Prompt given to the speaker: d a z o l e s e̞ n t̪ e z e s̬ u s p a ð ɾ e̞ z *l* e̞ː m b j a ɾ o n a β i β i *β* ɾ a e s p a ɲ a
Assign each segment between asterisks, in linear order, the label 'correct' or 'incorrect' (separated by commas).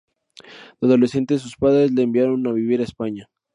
correct, incorrect